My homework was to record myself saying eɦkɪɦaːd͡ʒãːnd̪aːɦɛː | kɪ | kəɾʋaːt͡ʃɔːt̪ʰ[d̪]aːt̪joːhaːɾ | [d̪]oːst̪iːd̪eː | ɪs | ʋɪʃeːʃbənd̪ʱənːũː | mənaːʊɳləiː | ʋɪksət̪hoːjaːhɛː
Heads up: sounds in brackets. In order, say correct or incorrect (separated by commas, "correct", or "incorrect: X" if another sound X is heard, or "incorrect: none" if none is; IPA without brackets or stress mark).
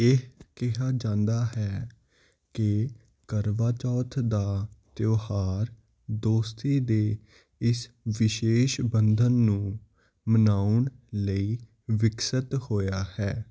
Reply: correct, correct